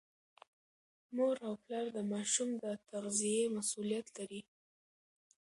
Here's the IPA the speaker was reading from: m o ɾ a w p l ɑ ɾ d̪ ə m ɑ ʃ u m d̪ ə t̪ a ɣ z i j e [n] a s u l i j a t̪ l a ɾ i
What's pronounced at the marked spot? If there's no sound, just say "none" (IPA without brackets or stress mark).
m